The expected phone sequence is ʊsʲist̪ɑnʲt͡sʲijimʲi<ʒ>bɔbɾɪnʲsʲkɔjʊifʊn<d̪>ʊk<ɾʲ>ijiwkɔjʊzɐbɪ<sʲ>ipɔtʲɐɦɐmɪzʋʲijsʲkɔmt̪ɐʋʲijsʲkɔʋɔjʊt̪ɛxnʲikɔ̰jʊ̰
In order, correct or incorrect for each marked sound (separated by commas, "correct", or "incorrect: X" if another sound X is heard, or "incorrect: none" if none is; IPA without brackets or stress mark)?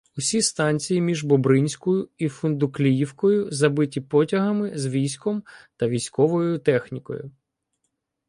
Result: correct, correct, incorrect: lʲ, incorrect: tʲ